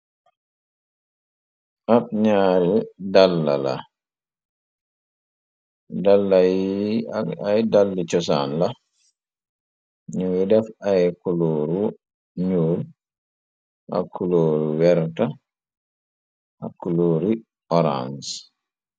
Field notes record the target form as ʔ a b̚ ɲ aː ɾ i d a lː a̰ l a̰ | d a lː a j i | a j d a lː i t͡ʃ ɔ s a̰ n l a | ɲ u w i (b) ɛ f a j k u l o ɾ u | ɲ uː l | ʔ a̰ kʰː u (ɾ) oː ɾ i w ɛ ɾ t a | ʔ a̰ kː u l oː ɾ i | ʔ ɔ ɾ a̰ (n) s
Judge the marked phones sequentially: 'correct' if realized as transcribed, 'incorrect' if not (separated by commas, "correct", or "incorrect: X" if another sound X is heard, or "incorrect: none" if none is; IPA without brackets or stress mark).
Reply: incorrect: d, incorrect: l, correct